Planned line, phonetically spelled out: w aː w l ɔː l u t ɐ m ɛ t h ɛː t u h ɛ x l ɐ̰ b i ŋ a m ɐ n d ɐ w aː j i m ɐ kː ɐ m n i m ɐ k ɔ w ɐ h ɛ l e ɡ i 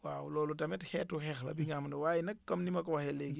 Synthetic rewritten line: w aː w l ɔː l u t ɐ m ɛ t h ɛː t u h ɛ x l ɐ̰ b i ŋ a m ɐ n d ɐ w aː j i n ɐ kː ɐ m n i m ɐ k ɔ w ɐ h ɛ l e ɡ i